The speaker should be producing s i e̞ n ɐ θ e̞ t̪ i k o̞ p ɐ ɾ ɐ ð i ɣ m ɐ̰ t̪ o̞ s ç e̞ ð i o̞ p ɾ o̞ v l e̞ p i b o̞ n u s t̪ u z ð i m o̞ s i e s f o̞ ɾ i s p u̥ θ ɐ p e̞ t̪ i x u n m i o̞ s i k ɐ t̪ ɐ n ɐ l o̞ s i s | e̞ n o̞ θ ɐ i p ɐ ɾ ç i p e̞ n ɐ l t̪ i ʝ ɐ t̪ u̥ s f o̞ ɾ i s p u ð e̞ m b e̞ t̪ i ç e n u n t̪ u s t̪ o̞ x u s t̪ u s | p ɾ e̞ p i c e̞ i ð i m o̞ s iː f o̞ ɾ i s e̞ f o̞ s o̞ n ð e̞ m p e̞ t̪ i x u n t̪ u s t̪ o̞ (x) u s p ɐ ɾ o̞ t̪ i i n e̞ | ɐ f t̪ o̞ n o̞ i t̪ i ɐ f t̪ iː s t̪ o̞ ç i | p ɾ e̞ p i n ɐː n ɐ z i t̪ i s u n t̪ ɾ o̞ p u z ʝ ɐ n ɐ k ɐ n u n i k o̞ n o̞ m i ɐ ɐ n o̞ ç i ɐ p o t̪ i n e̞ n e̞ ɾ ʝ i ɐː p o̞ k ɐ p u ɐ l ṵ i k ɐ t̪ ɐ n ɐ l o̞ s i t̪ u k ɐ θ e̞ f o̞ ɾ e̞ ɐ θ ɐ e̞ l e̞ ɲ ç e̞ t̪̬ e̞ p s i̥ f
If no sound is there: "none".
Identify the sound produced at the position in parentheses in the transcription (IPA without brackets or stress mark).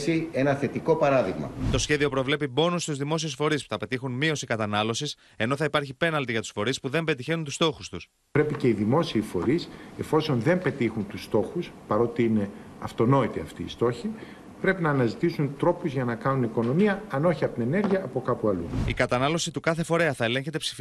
x